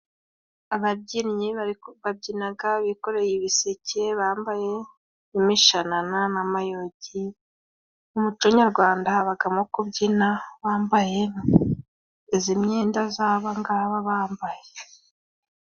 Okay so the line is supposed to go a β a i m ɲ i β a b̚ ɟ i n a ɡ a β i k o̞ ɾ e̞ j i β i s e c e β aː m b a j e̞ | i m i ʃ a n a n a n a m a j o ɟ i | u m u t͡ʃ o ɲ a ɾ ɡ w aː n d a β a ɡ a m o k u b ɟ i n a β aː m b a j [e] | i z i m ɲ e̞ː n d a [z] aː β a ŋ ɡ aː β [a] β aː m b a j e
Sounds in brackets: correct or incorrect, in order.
correct, correct, correct

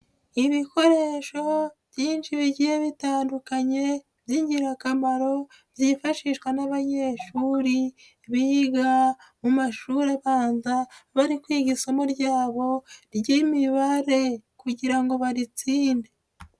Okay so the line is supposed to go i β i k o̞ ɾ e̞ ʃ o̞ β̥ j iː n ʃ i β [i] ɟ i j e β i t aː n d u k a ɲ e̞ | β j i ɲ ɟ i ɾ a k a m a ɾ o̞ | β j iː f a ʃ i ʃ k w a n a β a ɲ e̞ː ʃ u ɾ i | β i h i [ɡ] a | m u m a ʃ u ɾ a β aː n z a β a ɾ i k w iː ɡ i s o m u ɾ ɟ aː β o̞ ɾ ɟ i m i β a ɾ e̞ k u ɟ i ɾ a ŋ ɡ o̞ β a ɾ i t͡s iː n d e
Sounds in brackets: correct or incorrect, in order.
correct, correct

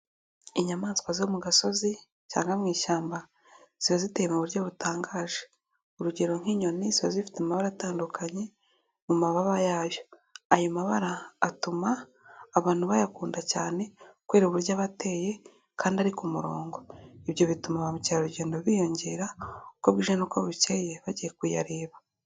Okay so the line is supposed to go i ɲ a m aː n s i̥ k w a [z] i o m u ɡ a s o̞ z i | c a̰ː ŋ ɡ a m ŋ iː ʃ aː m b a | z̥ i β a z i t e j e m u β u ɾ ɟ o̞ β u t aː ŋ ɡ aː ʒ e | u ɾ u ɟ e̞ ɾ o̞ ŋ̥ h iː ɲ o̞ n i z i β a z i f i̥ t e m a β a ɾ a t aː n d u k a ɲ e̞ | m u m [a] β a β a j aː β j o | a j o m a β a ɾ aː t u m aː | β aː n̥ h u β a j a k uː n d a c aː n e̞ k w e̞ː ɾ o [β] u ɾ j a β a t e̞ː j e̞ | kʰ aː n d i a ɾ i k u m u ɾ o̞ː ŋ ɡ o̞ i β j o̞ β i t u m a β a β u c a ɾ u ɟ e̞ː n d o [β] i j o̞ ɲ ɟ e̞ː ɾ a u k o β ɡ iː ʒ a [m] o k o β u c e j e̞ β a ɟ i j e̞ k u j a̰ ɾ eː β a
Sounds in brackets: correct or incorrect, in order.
correct, correct, correct, correct, incorrect: n

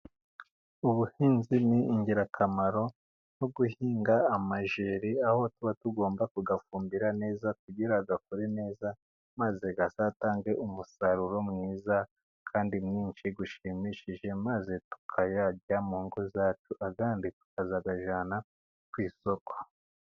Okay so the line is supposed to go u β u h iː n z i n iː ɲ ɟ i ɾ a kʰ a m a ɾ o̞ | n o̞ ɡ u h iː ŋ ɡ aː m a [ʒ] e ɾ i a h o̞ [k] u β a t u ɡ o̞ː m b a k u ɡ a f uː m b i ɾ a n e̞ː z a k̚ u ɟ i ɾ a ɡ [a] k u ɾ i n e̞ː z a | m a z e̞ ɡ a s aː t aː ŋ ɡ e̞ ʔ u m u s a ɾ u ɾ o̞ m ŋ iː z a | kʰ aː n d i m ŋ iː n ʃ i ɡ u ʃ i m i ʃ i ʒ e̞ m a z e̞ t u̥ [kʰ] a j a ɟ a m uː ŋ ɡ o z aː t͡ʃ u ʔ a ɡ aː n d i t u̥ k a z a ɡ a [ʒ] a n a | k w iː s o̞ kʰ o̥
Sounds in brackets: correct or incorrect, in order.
correct, incorrect: t, correct, correct, correct

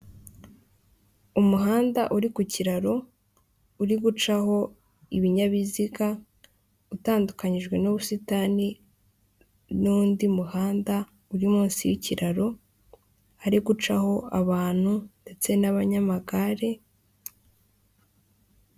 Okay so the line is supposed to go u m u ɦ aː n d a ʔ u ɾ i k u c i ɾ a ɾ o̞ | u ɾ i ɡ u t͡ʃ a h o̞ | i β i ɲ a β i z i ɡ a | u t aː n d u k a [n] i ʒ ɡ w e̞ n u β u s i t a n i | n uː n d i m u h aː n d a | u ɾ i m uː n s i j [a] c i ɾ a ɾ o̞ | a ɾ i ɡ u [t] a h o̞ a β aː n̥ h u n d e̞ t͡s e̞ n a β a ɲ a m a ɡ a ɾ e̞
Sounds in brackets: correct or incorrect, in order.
incorrect: ɲ, incorrect: i, incorrect: t͡ʃ

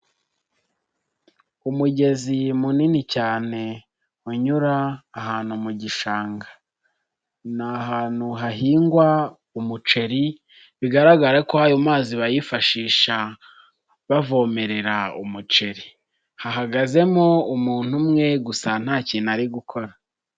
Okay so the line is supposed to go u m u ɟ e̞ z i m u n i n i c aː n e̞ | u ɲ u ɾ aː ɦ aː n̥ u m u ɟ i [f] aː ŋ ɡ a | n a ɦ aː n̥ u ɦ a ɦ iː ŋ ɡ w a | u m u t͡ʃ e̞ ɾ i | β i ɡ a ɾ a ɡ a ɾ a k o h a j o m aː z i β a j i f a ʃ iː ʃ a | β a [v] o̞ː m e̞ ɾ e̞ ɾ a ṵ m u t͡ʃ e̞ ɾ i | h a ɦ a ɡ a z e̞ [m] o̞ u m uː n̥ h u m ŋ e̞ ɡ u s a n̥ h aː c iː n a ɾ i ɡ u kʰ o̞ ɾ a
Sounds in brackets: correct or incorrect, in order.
incorrect: ʃ, correct, correct

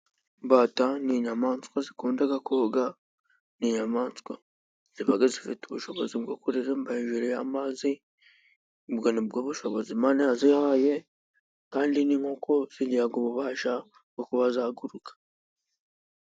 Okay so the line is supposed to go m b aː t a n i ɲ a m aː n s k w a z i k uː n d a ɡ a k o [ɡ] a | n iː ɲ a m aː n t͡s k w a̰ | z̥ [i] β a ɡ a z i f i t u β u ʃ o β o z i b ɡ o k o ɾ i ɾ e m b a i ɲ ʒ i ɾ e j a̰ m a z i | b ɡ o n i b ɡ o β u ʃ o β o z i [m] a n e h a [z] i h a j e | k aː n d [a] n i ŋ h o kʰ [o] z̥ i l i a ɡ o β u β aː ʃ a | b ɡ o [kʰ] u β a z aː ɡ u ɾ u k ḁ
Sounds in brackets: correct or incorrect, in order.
correct, correct, correct, correct, incorrect: i, correct, incorrect: k

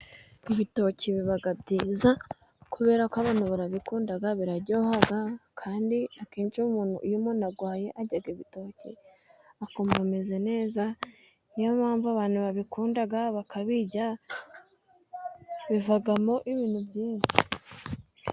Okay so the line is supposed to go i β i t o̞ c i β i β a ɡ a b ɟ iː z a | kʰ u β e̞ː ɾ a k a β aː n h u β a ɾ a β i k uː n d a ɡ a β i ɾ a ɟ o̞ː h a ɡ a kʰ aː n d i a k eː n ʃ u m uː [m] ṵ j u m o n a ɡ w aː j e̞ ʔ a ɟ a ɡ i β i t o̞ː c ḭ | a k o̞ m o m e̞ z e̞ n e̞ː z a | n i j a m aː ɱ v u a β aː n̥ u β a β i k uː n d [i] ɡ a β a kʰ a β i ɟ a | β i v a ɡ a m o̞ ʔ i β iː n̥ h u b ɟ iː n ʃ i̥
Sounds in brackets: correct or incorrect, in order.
incorrect: n, incorrect: a

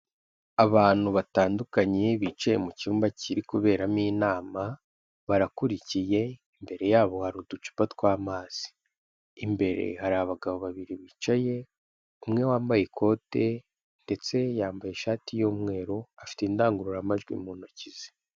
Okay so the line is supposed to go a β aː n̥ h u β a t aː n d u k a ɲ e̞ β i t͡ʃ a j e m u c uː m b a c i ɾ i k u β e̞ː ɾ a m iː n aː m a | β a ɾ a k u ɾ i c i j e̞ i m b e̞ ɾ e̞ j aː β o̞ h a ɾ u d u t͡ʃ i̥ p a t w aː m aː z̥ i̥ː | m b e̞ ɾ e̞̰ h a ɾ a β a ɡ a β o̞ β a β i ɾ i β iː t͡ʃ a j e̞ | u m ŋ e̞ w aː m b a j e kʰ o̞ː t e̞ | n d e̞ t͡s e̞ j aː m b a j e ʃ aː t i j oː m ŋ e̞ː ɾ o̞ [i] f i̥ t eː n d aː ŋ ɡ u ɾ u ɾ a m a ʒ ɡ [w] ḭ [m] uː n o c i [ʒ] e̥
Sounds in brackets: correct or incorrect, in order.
incorrect: a, correct, correct, incorrect: z

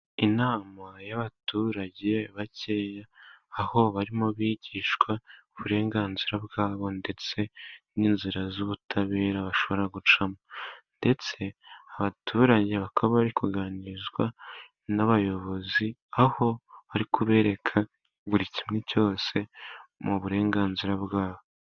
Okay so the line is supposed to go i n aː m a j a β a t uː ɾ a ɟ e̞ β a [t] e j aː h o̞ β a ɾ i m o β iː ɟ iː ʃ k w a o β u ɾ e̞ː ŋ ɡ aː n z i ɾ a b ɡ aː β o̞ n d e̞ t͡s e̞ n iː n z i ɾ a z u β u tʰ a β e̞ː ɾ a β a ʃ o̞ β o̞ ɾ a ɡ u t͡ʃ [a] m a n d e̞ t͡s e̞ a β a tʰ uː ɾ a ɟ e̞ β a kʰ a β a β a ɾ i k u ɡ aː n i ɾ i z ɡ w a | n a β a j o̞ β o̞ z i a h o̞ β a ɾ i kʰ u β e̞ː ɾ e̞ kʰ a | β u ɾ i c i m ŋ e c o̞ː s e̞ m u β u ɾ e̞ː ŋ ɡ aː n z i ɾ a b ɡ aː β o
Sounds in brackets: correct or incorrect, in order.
incorrect: c, correct

